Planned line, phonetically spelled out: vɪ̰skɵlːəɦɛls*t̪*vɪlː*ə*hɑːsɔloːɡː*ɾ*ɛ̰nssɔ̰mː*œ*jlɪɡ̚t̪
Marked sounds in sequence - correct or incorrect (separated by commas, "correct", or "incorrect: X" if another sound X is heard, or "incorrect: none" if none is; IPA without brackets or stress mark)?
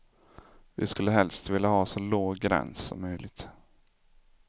correct, incorrect: a, correct, correct